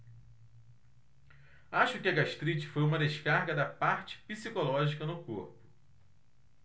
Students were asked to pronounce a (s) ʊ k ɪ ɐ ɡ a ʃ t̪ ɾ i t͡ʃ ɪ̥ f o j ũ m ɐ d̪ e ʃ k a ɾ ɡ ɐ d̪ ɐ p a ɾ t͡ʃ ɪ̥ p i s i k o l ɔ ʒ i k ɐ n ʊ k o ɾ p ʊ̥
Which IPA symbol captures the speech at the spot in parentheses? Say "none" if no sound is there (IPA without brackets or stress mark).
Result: ʃ